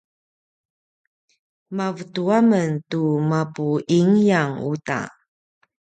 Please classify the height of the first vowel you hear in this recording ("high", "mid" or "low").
low